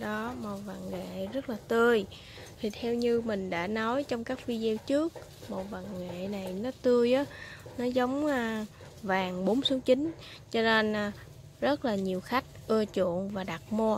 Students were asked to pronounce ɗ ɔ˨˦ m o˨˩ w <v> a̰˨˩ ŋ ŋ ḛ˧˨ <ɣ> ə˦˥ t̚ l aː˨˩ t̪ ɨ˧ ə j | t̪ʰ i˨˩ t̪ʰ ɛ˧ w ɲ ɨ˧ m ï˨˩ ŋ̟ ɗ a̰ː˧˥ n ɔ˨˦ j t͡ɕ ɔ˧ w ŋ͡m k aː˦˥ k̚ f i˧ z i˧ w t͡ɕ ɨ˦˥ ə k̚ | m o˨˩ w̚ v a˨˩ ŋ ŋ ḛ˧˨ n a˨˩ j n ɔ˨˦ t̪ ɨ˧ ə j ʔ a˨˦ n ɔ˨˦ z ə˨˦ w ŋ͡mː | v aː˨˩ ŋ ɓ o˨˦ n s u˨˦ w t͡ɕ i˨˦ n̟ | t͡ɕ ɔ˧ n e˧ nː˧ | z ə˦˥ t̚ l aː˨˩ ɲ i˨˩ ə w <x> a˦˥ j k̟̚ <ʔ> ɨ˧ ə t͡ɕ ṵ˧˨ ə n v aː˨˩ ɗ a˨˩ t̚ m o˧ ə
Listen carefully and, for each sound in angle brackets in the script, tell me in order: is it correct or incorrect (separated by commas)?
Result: correct, incorrect, correct, correct